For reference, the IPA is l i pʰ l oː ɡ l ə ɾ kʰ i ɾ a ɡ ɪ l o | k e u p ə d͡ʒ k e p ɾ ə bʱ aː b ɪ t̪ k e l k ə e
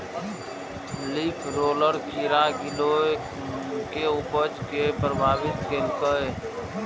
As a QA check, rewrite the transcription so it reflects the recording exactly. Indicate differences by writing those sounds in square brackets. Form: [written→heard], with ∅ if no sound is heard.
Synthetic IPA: l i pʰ [l→ɾ] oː [ɡ→∅] l ə ɾ kʰ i ɾ a ɡ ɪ l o | k e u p ə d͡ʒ k e p ɾ ə bʱ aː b ɪ t̪ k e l k ə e